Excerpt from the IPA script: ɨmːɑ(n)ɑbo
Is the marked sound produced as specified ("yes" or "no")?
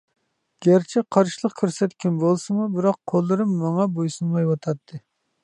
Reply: no